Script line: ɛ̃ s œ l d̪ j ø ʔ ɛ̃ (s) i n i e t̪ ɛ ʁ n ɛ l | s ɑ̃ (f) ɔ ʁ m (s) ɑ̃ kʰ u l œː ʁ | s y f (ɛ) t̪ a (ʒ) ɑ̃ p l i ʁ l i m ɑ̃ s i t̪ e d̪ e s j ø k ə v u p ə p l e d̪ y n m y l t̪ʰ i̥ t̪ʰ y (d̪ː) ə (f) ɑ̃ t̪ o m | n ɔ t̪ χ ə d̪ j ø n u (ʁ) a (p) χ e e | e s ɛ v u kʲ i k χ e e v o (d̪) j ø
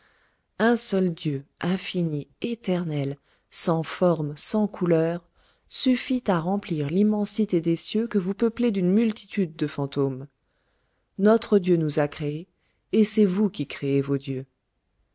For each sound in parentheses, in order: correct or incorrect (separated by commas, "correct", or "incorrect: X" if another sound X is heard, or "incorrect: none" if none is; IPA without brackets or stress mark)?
incorrect: f, correct, correct, incorrect: i, incorrect: ʁ, correct, correct, incorrect: z, incorrect: k, correct